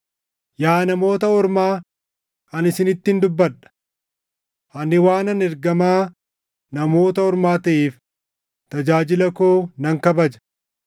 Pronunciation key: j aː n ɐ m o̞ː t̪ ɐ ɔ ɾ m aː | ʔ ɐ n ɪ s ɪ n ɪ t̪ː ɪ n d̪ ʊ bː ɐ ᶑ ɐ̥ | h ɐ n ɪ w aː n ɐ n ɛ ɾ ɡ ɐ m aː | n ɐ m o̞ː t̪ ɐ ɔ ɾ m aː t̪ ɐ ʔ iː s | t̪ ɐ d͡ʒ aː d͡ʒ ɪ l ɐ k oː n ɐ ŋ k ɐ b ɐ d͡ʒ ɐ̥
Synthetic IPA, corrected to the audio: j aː n ɐ m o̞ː t̪ ɐ ɔ ɾ m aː | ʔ ɐ n ɪ s ɪ n ɪ t̪ː ɪ n d̪ ʊ bː ɐ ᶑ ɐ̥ | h ɐ n ɪ w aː n ɐ n ɛ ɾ ɡ ɐ m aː | n ɐ m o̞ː t̪ ɐ ɔ ɾ m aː t̪ ɐ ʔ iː f | t̪ ɐ d͡ʒ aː d͡ʒ ɪ l ɐ k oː n ɐ ŋ k ɐ b ɐ d͡ʒ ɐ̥